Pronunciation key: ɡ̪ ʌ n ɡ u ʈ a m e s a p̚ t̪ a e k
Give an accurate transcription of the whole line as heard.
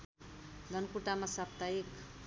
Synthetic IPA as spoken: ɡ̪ ʌ n k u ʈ a m a s a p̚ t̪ a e k